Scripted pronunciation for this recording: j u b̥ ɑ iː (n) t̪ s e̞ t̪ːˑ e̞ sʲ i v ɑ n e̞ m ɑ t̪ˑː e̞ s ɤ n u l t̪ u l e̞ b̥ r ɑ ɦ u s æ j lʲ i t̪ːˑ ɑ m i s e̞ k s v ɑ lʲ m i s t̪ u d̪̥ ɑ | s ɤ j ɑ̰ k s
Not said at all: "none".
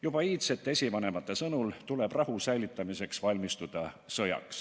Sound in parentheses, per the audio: none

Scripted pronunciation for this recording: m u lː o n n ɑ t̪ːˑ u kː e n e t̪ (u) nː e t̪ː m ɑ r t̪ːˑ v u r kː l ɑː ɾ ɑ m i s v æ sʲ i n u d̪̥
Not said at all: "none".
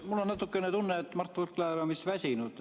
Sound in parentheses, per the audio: u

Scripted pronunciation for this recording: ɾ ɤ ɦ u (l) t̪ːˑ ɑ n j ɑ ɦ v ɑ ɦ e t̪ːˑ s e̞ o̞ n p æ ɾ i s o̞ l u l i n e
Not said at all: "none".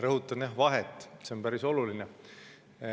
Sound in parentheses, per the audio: none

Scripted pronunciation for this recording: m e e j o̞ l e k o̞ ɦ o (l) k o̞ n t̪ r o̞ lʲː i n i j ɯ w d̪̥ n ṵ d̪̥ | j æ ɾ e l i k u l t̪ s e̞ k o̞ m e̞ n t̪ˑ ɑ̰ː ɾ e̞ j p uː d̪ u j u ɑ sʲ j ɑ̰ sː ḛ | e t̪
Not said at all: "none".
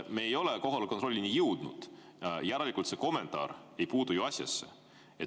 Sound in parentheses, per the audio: l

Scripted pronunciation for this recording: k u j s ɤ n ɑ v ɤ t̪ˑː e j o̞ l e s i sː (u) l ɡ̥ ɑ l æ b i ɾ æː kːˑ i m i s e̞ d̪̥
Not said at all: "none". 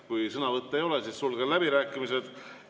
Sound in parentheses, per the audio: u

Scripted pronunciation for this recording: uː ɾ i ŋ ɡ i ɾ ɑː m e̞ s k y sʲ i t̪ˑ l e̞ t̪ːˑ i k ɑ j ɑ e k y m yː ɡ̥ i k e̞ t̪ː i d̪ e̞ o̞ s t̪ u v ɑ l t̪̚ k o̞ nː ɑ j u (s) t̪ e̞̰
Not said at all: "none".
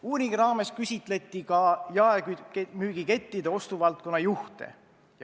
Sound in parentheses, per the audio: h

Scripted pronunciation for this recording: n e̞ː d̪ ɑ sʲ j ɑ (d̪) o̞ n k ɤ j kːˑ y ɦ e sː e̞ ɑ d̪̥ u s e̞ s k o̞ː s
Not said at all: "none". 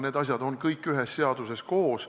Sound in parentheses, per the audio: d̪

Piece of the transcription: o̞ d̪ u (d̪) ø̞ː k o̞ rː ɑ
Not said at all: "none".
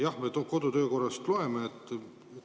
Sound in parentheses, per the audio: t̪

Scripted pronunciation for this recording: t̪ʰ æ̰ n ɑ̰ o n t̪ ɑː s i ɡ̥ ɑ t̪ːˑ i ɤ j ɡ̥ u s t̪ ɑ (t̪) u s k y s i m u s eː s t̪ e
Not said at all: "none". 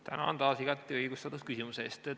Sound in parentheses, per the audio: t̪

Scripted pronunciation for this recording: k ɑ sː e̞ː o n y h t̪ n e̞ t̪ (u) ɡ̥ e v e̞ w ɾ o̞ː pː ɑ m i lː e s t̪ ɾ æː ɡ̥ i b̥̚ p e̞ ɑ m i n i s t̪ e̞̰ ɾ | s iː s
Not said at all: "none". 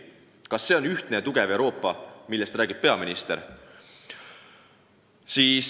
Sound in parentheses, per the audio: u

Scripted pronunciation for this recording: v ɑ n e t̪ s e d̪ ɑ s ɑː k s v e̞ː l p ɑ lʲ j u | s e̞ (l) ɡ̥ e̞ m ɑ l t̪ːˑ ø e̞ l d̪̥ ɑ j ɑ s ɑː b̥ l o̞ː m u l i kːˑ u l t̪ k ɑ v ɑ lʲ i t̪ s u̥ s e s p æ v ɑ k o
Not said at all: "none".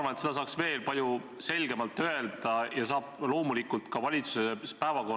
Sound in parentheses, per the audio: l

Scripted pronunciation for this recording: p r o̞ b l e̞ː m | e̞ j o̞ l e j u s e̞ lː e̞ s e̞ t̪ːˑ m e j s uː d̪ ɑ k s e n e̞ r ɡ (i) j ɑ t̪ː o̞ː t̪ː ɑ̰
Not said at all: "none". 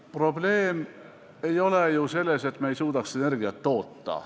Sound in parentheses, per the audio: i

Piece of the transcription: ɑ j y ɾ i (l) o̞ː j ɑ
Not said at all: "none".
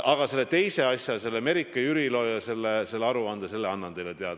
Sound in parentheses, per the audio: l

